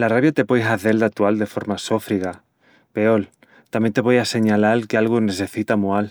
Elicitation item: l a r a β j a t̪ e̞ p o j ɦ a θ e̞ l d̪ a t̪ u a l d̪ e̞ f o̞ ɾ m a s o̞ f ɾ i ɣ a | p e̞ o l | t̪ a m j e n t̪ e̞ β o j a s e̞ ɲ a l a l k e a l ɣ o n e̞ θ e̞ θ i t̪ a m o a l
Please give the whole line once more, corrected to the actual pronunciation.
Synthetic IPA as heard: l a r a β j a t̪ e̞ p o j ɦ a θ e̞ l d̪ a t̪ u a l d̪ e̞ f o̞ ɾ m a s o̞ f ɾ i ɣ a | p e̞ o l | t̪ a m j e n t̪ e̞ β o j a s e̞ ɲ a l a l k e a l ɣ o n e̞ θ e̞ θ i t̪ a m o a l